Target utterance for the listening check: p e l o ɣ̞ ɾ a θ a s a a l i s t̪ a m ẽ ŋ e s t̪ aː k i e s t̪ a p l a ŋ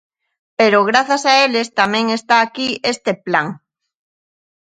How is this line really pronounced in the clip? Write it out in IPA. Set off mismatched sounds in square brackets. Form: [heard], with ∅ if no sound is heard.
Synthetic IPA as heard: p e [ɾ] o ɣ̞ ɾ a θ a s a [e] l [e] s t̪ a m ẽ ŋ e s t̪ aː k i e s t̪ [e] p l a ŋ